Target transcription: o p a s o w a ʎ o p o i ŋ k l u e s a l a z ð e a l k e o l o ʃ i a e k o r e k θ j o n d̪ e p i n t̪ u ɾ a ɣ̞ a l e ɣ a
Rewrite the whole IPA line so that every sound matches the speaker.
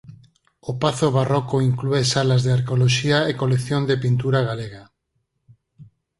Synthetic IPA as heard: o p a θ o β a r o k o i ŋ k l u e s a l a z ð e a ɾ k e o l o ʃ i a e k o l e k θ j o n d̪ e p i n t̪ u ɾ a ɣ̞ a l e ɣ a